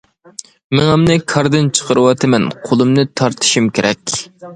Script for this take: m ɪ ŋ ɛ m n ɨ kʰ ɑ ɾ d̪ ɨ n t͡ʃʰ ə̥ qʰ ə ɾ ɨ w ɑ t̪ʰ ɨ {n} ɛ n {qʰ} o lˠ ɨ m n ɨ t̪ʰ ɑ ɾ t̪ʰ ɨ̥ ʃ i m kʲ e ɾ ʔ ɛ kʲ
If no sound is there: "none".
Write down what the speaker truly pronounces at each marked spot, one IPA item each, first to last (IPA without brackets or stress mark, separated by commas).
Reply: m, qʰ